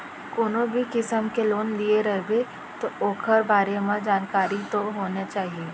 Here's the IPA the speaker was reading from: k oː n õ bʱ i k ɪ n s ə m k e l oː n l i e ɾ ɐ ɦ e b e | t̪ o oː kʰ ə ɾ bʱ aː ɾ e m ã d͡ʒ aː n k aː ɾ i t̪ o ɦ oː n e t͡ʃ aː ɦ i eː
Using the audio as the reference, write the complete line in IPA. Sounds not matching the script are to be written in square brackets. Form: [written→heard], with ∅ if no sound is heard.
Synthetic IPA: k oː n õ bʱ i k ɪ [n→∅] s ə m k e l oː n l i e ɾ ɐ ɦ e b e | t̪ o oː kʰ ə ɾ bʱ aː ɾ e m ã d͡ʒ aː n k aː ɾ i t̪ o ɦ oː n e t͡ʃ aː ɦ i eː